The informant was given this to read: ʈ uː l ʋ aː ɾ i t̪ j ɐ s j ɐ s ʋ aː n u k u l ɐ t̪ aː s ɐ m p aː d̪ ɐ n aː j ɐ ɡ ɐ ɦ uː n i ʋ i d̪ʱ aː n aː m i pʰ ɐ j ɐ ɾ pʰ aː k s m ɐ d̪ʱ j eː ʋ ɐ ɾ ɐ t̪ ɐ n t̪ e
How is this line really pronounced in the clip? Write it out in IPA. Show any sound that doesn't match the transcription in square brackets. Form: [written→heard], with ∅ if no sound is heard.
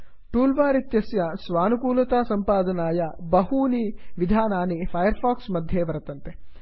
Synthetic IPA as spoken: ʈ uː l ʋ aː ɾ i t̪ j ɐ s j ɐ s ʋ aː n u k [u→uː] l ɐ t̪ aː s ɐ m p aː d̪ ɐ n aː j ɐ [ɡ→b] ɐ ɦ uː n i ʋ i d̪ʱ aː n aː [m→n] i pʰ ɐ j ɐ ɾ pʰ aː k s m ɐ d̪ʱ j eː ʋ ɐ ɾ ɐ t̪ ɐ n t̪ e

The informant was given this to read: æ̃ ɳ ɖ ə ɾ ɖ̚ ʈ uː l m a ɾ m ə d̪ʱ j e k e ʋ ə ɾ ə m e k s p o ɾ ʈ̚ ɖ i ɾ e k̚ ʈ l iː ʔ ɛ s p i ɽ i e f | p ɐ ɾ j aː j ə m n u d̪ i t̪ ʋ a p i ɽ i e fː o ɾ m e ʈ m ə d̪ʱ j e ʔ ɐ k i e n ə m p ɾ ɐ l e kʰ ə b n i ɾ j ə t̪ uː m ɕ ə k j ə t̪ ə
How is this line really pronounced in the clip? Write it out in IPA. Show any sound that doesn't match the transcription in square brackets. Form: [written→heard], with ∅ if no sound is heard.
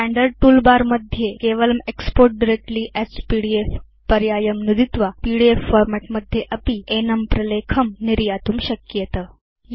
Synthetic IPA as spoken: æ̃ ɳ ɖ ə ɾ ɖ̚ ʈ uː l [m→b] a ɾ m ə d̪ʱ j e k e ʋ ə [ɾ→l] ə m e k s p o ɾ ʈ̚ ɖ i ɾ e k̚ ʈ l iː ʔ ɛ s p i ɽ i e f | p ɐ ɾ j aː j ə m n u d̪ i t̪ ʋ a p i ɽ i e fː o ɾ m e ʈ m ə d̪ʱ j e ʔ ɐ [k→p] i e n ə m p ɾ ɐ l e kʰ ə [b→m] n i ɾ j [ə→a] t̪ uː m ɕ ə k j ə t̪ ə

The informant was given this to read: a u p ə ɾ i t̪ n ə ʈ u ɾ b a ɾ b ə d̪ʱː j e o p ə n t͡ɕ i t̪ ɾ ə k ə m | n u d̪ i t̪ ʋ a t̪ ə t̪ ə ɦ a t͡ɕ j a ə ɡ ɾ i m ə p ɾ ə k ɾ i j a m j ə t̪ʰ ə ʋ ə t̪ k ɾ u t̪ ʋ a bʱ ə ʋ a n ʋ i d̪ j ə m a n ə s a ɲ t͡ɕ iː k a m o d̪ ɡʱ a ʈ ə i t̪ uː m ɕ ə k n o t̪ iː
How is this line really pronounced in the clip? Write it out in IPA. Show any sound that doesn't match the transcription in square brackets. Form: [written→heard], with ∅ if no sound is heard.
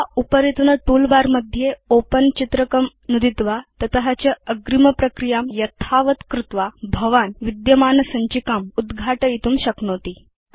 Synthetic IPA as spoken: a u p ə ɾ i t̪ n ə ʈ u [ɾ→l] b a ɾ [b→m] ə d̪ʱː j e o p ə n t͡ɕ i t̪ ɾ ə k ə m | n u d̪ i t̪ ʋ a t̪ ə t̪ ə ɦ a t͡ɕ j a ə ɡ ɾ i m ə p ɾ ə k ɾ i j a m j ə t̪ʰ [ə→a] ʋ ə t̪ k ɾ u t̪ ʋ a bʱ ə ʋ a n ʋ i d̪ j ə m a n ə s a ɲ t͡ɕ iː k a m [o→u] d̪ ɡʱ a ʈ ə i t̪ uː m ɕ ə k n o t̪ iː

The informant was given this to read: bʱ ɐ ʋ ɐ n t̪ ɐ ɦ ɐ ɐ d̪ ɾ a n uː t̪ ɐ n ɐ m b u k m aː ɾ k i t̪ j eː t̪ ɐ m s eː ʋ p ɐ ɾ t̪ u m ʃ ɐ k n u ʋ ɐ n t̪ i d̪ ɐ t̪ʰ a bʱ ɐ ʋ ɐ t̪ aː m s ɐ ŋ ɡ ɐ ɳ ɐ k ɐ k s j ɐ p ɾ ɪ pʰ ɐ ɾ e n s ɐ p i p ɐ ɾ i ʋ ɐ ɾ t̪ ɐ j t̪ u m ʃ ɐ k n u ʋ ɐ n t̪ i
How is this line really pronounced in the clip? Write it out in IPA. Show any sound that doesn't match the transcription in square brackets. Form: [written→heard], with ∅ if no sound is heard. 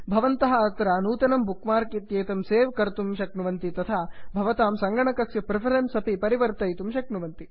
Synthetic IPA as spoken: bʱ ɐ ʋ ɐ n t̪ ɐ ɦ ɐ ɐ [d̪→t̪] ɾ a n uː t̪ ɐ n ɐ m b u k m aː ɾ k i t̪ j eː t̪ ɐ m s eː ʋ [p→k] ɐ ɾ t̪ u m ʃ ɐ k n u ʋ ɐ n t̪ i [d̪→t̪] ɐ t̪ʰ a bʱ ɐ ʋ ɐ t̪ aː m s ɐ ŋ ɡ ɐ ɳ ɐ k ɐ k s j ɐ p ɾ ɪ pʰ ɐ ɾ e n s ɐ p i p ɐ ɾ i ʋ ɐ ɾ t̪ ɐ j t̪ u m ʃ ɐ k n u ʋ ɐ n t̪ i

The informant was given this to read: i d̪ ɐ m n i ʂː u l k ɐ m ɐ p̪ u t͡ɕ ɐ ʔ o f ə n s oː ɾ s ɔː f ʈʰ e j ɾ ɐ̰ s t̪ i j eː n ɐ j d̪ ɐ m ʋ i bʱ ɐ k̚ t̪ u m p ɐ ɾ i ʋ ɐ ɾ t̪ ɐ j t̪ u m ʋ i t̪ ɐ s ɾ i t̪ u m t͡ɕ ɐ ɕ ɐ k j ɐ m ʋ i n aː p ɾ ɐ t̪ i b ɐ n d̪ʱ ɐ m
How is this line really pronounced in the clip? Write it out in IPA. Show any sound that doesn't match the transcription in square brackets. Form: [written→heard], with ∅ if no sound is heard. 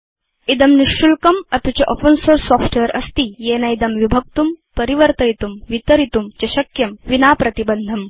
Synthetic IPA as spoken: i d̪ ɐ m n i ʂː u l k ɐ m ɐ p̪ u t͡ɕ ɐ ʔ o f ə n s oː ɾ s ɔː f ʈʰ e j ɾ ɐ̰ s t̪ i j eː n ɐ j d̪ ɐ m ʋ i bʱ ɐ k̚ t̪ u m p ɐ ɾ i ʋ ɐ ɾ t̪ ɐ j t̪ u m ʋ i t̪ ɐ [s→∅] ɾ i t̪ u m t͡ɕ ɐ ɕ ɐ k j ɐ m ʋ i n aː p ɾ ɐ t̪ i b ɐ n d̪ʱ ɐ m

